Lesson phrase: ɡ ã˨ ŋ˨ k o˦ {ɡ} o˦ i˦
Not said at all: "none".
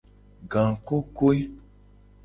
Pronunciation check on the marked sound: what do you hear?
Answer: k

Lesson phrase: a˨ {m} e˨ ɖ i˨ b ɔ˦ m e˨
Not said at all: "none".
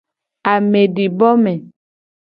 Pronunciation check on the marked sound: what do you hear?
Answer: m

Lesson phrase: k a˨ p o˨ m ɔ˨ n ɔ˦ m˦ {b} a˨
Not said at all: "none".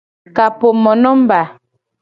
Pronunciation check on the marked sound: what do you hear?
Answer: b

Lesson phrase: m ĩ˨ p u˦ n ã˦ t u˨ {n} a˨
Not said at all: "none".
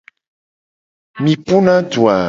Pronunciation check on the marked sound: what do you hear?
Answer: none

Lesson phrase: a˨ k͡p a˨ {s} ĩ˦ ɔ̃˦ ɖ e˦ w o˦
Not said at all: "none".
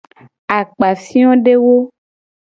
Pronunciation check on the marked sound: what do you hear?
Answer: f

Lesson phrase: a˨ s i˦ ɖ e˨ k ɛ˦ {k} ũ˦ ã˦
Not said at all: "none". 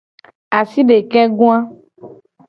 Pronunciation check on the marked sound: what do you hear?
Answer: ɡ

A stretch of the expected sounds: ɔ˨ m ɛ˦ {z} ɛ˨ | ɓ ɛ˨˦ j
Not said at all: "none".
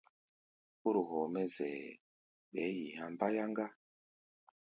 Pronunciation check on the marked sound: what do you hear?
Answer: z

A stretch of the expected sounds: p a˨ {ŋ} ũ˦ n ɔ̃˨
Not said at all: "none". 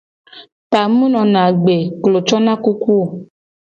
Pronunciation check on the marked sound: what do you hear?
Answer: m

